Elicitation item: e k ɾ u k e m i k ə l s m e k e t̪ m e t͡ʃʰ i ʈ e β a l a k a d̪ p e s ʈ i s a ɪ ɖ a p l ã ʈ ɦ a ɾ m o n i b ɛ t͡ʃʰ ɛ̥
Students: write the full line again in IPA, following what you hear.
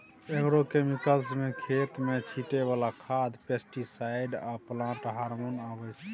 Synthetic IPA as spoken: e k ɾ o k e m i k ə l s m e kʰ e t̪ m e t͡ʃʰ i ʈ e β a l a kʰ a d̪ p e s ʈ i s a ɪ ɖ a p l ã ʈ ɦ a ɾ m o n a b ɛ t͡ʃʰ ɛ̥